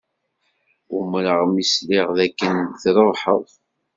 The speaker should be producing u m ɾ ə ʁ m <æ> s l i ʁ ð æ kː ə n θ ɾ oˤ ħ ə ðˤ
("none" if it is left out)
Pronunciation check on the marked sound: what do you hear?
i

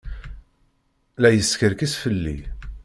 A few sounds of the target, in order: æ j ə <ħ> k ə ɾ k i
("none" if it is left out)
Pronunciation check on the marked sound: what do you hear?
s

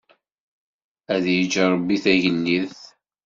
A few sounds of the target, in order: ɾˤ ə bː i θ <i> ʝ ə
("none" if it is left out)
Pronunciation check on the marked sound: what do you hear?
æ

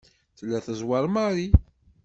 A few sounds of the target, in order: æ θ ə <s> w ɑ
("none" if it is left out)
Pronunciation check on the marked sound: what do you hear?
z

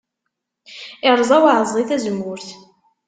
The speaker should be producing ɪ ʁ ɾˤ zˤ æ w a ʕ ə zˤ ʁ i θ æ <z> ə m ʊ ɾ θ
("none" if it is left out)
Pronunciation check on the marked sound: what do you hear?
z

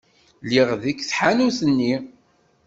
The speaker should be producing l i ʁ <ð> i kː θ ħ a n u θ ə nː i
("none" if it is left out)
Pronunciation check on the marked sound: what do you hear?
ð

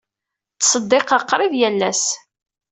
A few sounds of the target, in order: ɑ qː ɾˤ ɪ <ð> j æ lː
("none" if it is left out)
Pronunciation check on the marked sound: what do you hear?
ð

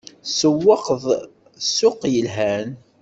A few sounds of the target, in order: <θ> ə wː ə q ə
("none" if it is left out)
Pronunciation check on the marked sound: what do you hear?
s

